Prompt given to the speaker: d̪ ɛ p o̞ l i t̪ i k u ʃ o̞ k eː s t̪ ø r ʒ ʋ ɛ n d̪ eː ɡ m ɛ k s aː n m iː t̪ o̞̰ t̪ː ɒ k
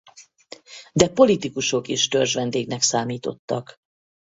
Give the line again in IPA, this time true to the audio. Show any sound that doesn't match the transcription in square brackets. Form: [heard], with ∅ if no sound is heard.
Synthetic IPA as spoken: d̪ ɛ p o̞ l i t̪ i k u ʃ o̞ k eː [ʃ] t̪ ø r ʒ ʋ ɛ n d̪ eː ɡ [n] ɛ k s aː [∅] m iː t̪ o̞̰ t̪ː ɒ k